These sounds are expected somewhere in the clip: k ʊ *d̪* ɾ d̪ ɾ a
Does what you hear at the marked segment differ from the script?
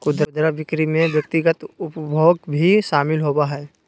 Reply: no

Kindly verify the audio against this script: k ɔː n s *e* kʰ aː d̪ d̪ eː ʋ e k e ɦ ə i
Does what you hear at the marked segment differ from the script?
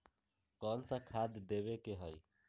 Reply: yes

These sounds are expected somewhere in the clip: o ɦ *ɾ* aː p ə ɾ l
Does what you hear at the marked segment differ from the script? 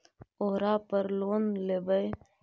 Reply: no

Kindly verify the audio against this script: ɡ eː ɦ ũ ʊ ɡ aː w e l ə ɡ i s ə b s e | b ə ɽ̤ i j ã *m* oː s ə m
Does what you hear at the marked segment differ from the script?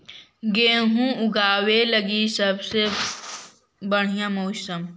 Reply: no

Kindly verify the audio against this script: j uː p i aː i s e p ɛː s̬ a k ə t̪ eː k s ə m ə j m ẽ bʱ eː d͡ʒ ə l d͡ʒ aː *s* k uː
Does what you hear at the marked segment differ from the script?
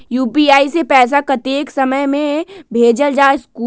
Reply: no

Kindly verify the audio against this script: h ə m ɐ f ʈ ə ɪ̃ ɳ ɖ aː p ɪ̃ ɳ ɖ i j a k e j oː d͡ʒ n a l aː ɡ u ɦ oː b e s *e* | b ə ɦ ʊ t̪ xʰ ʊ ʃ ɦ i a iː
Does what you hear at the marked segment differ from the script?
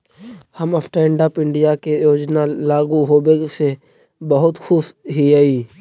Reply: no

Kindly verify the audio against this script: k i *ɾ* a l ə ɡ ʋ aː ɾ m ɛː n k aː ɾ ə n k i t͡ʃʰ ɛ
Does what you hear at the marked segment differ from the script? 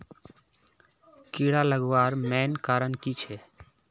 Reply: yes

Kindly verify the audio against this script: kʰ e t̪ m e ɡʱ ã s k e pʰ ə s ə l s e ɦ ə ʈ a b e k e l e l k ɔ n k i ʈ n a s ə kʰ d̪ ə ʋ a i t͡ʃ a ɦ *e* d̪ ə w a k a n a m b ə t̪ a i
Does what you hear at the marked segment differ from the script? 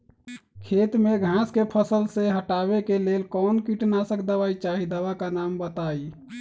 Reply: yes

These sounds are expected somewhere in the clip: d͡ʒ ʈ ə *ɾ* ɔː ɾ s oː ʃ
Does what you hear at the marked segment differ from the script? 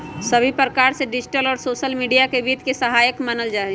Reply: yes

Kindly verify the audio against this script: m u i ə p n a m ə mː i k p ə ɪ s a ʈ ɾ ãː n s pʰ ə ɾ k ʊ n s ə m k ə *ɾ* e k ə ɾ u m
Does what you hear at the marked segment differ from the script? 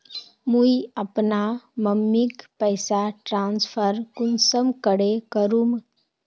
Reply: yes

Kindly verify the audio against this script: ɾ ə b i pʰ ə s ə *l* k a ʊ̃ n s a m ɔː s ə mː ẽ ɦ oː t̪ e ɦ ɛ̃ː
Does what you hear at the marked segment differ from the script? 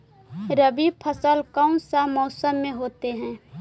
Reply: no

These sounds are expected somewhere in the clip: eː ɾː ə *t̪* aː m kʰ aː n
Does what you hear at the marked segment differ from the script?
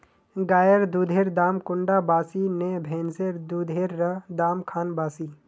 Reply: yes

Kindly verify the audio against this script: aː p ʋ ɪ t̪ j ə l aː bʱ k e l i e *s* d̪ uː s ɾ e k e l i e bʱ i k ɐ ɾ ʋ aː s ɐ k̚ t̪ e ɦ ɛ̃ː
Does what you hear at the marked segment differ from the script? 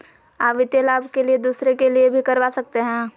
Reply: yes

